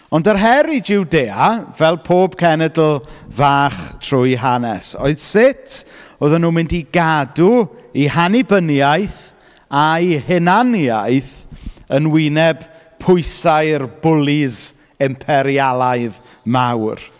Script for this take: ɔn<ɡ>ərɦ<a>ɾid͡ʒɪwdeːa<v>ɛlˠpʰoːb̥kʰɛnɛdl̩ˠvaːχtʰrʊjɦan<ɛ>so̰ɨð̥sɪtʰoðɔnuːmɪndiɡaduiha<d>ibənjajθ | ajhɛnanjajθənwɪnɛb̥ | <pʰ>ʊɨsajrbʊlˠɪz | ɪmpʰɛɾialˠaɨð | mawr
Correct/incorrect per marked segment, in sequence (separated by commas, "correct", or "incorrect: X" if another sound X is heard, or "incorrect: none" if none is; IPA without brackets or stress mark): incorrect: d, incorrect: ɛ, correct, correct, incorrect: n, correct